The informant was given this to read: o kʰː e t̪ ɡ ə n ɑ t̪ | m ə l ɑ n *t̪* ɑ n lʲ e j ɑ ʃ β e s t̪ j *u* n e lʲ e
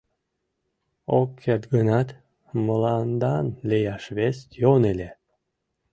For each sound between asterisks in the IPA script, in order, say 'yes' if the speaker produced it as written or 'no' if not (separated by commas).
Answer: no, no